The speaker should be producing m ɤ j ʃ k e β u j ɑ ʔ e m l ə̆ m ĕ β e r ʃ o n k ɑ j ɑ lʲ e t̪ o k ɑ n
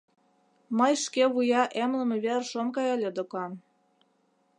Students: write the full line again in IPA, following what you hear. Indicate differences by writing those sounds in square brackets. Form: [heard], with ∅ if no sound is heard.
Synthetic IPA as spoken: m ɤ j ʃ k e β u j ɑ ʔ e m l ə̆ m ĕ β e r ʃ o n k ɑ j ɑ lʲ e [d̪] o k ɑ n